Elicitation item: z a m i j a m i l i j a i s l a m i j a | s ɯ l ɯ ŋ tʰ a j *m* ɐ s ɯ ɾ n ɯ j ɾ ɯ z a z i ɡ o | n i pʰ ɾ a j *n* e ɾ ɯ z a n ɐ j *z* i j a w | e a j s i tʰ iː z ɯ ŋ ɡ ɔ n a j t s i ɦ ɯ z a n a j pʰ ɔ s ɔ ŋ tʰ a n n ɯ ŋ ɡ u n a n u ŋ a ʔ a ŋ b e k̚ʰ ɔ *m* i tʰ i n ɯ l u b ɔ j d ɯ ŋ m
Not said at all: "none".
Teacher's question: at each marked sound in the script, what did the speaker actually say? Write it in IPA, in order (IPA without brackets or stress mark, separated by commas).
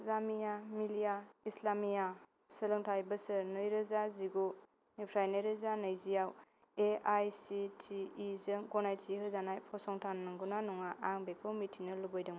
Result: b, n, z, m